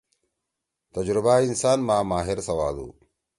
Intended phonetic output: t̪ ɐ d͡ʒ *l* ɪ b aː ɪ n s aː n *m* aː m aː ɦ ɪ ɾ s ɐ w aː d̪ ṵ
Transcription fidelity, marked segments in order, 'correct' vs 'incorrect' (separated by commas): incorrect, correct